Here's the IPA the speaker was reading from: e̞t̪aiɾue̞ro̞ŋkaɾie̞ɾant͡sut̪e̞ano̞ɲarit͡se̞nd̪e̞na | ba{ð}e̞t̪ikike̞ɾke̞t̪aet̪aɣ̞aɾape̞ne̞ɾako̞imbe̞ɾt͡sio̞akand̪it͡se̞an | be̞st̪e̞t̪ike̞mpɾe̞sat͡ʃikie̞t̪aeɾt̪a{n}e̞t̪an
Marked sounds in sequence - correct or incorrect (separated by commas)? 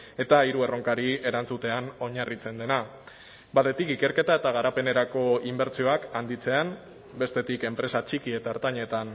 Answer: correct, incorrect